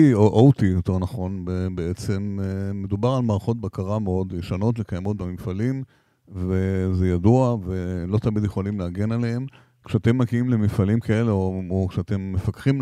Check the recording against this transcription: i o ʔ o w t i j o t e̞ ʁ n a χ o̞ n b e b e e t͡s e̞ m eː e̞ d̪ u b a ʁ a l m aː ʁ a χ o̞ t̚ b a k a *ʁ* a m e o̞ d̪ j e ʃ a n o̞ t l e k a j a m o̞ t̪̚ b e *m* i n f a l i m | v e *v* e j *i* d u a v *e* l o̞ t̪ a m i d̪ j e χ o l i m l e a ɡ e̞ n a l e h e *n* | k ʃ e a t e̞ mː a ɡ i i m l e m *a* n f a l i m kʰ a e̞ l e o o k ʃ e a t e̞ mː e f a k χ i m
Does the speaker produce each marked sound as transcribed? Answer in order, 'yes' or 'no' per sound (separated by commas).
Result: yes, yes, no, no, yes, no, no